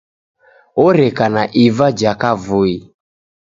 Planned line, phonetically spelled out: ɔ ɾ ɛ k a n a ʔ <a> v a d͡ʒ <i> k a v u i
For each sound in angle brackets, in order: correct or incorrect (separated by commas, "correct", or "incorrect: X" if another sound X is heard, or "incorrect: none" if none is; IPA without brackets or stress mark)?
incorrect: i, incorrect: a